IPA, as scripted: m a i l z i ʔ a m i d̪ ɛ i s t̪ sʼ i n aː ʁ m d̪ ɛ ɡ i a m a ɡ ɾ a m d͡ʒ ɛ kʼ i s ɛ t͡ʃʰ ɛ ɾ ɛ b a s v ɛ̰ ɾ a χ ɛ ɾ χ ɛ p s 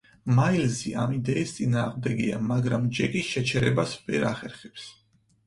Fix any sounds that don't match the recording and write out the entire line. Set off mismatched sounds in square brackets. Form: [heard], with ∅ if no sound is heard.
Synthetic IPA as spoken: m a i l z i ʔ a m i d̪ ɛ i s t̪ sʼ i n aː ʁ m d̪ ɛ ɡ i a m a ɡ ɾ a m d͡ʒ ɛ kʼ i [ʃ] ɛ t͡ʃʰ ɛ ɾ ɛ b a s v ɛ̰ ɾ a χ ɛ ɾ χ ɛ p s